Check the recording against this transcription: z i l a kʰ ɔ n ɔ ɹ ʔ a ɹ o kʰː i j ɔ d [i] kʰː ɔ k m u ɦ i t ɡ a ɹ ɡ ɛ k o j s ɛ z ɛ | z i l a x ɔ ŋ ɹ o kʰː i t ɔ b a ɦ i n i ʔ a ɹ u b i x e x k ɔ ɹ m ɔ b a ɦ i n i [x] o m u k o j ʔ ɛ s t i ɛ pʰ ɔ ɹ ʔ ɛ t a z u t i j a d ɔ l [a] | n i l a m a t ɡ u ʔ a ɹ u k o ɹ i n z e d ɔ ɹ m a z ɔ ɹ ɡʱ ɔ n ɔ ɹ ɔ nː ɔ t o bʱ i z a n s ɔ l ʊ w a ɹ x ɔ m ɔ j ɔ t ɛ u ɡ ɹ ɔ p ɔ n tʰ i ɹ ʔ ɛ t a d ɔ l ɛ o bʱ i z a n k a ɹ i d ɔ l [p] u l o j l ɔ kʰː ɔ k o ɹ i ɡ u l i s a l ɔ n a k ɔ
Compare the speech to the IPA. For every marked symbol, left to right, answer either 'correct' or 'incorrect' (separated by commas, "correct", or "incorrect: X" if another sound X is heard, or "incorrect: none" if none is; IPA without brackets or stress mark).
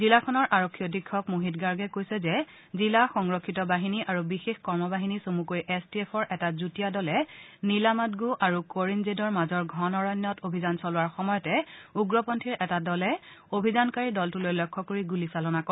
correct, incorrect: s, incorrect: ɛ, incorrect: t